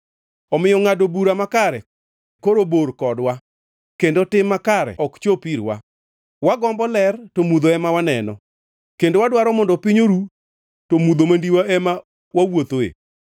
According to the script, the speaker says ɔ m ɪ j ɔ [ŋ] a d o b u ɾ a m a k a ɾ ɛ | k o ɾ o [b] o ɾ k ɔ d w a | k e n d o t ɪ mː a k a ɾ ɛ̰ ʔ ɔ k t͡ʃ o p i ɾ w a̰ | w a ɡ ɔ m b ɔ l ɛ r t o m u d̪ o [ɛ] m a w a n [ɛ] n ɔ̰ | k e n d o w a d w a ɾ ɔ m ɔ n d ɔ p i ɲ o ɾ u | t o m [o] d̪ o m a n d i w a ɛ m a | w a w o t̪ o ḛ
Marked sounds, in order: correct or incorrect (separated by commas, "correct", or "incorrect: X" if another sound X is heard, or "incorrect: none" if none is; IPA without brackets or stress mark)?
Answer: correct, correct, correct, correct, incorrect: u